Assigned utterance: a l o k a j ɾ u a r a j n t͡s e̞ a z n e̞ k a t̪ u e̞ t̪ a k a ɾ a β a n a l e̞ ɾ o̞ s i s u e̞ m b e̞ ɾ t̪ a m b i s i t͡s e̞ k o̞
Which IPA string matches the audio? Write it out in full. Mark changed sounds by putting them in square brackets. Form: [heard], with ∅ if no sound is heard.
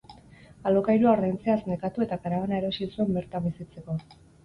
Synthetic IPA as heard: a l o k a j ɾ u a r a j n t͡s e̞ a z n e̞ k a t̪ u e̞ t̪ a k a ɾ a β a n a [∅] e̞ ɾ o̞ s i s u e̞ m b e̞ ɾ t̪ a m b i s i t͡s e̞ k o̞